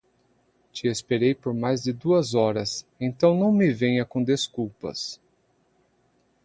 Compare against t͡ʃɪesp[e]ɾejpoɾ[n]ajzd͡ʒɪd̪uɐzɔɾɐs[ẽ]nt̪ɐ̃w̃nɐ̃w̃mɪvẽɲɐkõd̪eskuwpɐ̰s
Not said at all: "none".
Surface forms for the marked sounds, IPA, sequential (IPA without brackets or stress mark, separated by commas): e, m, ẽ